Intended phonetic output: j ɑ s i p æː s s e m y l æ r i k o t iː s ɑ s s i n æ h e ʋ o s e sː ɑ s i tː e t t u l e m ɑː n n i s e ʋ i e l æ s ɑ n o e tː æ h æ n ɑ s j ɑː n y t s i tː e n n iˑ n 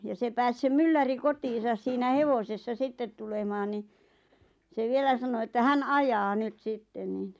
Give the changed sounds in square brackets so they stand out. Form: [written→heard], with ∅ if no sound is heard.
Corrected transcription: j ɑ s [i→e] p æː s s e m y [l→lː] æ r i k o t iː s ɑ s s [i→iː] n æ h e ʋ o s e sː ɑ s i tː e t t u l e m ɑː n n i s e ʋ i e l æ s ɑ n o e tː æ h æ n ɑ [s→∅] j ɑː n y t s i tː e n n iˑ n